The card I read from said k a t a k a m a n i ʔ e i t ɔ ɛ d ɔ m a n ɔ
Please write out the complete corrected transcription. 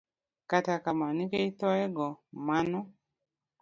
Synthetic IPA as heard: k a t a k a m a n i k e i t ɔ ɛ ɡ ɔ m a n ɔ